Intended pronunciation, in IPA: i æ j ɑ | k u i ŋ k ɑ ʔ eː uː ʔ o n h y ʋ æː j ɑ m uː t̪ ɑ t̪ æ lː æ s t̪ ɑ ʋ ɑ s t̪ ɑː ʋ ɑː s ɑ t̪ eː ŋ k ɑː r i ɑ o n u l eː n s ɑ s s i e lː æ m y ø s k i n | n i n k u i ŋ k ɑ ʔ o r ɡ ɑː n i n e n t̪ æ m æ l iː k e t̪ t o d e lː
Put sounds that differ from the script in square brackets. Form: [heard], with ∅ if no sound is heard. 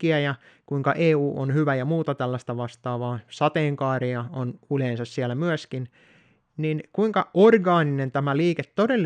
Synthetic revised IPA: i æ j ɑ | k u i ŋ k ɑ ʔ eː uː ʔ o n h y ʋ [æ] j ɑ m uː t̪ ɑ t̪ æ lː æ s t̪ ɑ ʋ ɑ s t̪ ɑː ʋ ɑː s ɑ t̪ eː ŋ k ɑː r i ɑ o n u l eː n s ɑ s s i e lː æ m y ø s k i n | n i n k u i ŋ k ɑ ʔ o r ɡ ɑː n i n e n t̪ æ m æ l iː k e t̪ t o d e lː